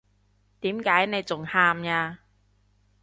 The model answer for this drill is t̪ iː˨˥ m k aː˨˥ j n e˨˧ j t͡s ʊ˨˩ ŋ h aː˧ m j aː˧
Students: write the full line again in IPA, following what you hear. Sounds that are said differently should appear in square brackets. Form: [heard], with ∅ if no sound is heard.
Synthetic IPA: t̪ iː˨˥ m k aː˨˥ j n e˨˧ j t͡s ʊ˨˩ ŋ h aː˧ m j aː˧